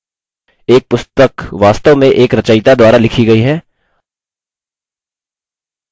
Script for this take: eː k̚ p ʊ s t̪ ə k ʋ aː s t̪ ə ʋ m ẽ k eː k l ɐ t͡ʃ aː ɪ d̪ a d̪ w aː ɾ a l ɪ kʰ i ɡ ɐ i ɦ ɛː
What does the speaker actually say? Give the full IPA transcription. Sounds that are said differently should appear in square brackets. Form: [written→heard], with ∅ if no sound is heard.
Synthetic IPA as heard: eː k̚ p ʊ s t̪ ə k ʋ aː s t̪ ə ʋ m ẽ [k→ʔ] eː k [l→ɾ] ɐ t͡ʃ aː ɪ [d̪→t̪] a d̪ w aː ɾ a l ɪ kʰ i ɡ ɐ i ɦ ɛː